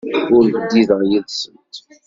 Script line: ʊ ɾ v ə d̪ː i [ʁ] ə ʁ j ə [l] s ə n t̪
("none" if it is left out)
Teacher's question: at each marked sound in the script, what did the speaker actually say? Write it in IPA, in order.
ð, l

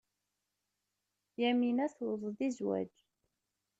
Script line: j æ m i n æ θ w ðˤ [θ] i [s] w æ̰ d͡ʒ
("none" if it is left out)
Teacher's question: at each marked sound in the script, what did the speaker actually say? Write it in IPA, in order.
ð, z

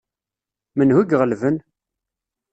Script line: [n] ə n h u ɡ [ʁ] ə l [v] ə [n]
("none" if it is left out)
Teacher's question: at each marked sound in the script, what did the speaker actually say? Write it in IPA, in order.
m, ʁ, v, n

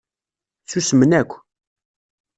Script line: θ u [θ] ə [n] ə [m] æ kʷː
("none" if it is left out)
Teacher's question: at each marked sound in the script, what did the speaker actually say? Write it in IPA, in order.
s, m, n

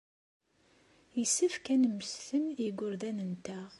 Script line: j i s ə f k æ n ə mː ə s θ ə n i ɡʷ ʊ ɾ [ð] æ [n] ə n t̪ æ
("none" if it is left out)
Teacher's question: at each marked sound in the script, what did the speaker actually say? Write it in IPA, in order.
ð, n

